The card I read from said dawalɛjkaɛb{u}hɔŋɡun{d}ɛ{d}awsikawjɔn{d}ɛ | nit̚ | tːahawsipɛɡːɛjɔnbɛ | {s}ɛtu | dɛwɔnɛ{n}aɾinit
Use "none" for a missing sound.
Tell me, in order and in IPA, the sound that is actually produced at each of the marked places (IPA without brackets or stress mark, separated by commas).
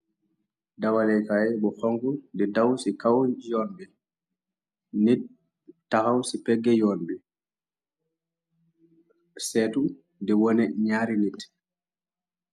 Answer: ɔ, d, d, b, s, ɲ